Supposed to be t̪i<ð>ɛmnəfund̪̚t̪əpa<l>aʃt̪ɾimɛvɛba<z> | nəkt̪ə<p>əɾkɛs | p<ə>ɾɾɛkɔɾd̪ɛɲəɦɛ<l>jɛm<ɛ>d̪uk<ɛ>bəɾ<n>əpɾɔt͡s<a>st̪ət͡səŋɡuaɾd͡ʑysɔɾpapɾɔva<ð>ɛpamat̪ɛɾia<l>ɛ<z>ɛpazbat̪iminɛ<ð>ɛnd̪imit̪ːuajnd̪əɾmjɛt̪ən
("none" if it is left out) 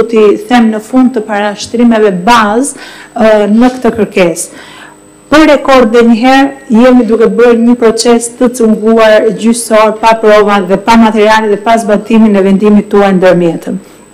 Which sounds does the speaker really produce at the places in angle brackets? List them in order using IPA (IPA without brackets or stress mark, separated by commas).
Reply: θ, ɾ, z, k, ə, ɾ, i, ɛ, ɲ, ɛ, ð, l, ð, v